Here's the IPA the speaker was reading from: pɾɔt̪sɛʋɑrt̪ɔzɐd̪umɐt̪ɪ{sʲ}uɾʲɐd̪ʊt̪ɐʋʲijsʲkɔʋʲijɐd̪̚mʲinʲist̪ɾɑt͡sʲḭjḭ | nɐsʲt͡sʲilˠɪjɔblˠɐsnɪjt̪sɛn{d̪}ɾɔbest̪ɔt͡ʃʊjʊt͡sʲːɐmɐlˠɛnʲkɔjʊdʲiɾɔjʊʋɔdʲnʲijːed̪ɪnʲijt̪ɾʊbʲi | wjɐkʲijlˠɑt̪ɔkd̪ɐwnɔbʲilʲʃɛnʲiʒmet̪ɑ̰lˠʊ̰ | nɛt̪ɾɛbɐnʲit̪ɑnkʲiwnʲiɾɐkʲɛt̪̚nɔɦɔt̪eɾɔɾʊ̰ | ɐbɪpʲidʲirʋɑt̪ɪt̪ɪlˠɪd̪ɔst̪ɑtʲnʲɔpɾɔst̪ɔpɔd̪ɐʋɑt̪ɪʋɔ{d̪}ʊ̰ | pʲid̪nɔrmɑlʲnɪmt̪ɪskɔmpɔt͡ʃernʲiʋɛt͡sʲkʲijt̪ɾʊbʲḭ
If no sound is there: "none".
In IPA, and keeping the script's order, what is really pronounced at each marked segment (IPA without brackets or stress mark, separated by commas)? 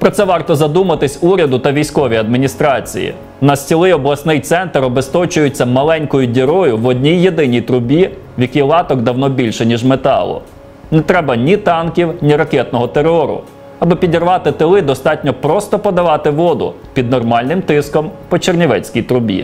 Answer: sʲ, t̪, d̪